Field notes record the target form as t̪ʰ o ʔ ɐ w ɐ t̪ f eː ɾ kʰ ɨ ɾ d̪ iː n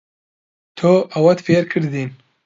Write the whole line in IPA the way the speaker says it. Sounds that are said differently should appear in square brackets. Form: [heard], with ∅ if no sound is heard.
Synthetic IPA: t̪ʰ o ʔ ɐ w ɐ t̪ f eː ɾ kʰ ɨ ɾ d̪ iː n